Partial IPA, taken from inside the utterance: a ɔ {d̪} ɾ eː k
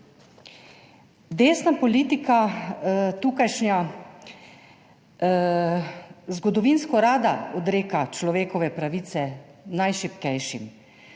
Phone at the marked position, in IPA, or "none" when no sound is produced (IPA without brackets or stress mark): d̪